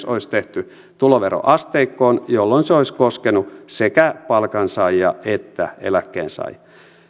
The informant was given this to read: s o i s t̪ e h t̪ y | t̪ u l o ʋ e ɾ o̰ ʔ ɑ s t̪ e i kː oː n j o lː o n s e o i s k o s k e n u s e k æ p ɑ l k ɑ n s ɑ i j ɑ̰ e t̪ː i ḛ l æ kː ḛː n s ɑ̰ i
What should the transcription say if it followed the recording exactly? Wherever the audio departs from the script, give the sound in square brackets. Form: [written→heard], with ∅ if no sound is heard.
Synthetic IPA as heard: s o i s t̪ e h t̪ y | t̪ u l o ʋ e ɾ o̰ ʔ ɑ s t̪ e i kː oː n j o lː o n s e o i s k o s k e n u s e k æ p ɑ l k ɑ n s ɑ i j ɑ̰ e t̪ː [i→æ] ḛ l æ kː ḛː n s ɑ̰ i